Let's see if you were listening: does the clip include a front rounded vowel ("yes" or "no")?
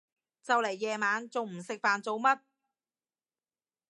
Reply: no